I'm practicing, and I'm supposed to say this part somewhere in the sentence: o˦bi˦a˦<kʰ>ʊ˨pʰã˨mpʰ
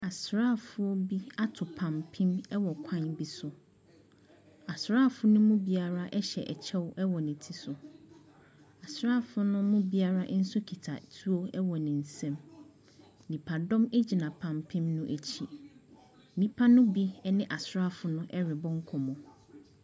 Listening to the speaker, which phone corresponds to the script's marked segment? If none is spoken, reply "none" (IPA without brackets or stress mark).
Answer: tʰ